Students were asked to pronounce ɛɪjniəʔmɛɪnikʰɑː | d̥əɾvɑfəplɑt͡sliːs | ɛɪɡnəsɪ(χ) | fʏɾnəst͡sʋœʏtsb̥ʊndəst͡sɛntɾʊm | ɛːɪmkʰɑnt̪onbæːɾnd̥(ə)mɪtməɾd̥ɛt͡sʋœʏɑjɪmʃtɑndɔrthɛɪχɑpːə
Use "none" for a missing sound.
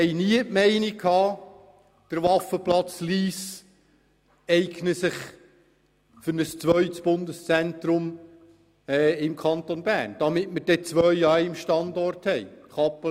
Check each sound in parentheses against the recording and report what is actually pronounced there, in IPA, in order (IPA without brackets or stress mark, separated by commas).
χ, ɑ